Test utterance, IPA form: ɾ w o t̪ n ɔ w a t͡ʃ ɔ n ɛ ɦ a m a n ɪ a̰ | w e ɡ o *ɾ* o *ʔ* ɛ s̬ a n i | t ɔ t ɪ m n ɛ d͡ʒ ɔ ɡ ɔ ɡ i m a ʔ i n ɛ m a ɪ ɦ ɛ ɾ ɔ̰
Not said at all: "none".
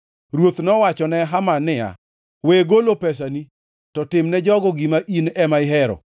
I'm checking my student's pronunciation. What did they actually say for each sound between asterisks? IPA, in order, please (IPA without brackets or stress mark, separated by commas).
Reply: l, p